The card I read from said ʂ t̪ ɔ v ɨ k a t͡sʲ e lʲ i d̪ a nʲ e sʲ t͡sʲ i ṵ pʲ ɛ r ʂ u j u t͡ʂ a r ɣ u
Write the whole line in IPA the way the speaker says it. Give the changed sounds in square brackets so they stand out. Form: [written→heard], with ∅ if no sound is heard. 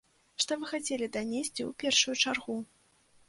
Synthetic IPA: ʂ t̪ ɔ v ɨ [k→x] a t͡sʲ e lʲ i d̪ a nʲ e sʲ t͡sʲ i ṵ pʲ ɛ r ʂ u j u t͡ʂ a r ɣ u